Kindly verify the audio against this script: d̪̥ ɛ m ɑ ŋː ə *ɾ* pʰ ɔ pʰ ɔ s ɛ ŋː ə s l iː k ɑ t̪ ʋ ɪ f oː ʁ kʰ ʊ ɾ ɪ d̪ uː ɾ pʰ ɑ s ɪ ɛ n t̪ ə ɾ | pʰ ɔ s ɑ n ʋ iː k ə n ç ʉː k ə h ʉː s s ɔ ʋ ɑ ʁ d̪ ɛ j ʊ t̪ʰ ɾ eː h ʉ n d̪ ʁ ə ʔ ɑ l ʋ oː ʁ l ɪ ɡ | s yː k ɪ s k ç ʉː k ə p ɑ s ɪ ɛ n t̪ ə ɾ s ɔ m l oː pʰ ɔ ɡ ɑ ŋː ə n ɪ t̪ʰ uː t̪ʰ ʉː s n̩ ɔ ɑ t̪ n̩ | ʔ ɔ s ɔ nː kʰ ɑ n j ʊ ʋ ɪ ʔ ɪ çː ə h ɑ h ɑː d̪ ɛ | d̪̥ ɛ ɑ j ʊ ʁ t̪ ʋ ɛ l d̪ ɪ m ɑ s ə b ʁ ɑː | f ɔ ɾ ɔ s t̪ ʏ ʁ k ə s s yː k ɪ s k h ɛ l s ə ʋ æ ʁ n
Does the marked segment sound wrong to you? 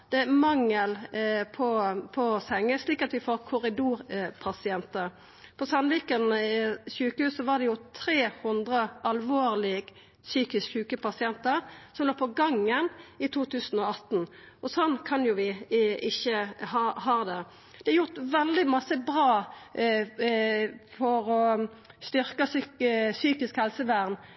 yes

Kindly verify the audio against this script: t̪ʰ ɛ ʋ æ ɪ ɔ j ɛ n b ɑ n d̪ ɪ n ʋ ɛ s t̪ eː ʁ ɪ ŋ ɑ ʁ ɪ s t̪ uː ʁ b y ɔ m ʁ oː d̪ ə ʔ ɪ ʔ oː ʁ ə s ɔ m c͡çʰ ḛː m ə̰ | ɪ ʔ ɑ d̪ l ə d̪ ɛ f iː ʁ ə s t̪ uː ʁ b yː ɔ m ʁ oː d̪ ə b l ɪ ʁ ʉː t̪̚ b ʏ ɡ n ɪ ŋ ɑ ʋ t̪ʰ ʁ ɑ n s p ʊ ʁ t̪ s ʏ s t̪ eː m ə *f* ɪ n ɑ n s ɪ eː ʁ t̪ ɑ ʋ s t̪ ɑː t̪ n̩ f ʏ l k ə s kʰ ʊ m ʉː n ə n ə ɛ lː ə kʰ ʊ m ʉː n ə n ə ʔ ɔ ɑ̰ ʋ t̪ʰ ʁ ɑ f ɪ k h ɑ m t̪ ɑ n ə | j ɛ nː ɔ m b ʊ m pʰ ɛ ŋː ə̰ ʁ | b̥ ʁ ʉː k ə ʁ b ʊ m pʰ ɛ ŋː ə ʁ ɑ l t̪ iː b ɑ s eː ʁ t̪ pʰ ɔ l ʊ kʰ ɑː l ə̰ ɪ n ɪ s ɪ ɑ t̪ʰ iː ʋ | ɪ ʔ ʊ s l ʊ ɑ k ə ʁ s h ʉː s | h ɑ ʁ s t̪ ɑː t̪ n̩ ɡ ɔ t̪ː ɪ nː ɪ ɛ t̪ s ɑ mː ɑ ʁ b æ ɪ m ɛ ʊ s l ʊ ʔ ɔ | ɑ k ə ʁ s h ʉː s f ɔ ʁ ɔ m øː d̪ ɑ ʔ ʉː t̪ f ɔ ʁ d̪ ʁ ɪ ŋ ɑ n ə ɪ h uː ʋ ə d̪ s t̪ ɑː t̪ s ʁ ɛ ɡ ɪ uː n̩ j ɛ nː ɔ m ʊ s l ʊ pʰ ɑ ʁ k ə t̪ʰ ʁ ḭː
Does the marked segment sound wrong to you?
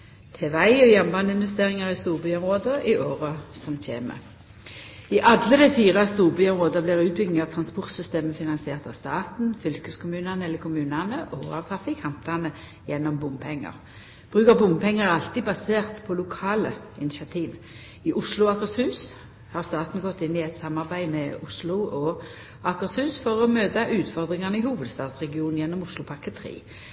no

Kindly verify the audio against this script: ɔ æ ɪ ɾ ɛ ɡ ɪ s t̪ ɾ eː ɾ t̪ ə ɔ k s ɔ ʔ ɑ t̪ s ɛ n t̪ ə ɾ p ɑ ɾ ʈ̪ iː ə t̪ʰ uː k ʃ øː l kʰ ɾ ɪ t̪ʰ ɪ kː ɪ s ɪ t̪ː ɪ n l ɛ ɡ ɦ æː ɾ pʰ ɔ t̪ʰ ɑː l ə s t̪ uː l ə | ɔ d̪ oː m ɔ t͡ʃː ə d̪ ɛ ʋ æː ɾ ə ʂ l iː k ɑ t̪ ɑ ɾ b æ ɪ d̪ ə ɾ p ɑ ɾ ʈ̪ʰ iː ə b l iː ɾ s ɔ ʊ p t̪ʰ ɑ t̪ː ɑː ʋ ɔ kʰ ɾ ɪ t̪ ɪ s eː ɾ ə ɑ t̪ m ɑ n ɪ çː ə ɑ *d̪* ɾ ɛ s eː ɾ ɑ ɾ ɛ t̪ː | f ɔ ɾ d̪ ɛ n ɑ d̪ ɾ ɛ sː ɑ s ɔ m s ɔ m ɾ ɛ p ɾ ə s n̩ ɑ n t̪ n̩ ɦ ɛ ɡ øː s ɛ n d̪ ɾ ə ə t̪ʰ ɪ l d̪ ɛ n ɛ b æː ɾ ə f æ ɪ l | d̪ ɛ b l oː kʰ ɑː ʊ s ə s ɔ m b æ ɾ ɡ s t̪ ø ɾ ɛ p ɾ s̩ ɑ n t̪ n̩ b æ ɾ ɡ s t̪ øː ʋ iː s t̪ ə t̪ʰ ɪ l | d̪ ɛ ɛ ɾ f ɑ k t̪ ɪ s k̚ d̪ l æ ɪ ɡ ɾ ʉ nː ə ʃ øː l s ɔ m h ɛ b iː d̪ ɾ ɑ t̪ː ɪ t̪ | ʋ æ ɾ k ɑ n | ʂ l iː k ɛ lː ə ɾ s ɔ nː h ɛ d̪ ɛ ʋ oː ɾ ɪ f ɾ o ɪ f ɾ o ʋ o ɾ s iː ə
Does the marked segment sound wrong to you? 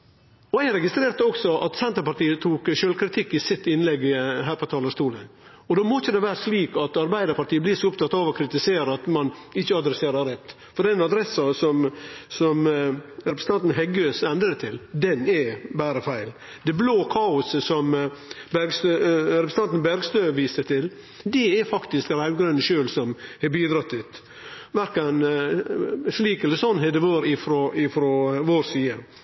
no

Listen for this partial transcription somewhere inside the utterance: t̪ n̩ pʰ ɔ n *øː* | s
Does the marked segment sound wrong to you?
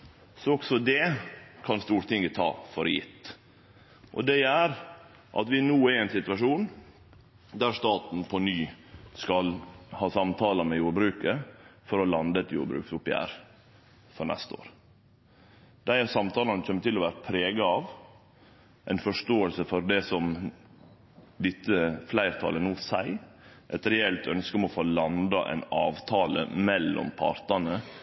yes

